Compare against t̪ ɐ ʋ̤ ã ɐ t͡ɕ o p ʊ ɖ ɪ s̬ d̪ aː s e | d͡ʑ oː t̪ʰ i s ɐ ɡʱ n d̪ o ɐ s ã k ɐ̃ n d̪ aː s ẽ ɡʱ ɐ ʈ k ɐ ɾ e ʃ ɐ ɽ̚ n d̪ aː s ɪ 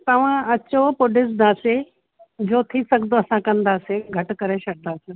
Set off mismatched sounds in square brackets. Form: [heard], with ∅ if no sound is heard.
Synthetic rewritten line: t̪ ɐ ʋ̤ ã ɐ t͡ɕ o p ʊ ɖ ɪ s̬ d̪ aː s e | d͡ʑ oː t̪ʰ i s ɐ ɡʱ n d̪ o ɐ s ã k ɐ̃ n d̪ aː s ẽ ɡʱ ɐ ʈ k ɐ ɾ e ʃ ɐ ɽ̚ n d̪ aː s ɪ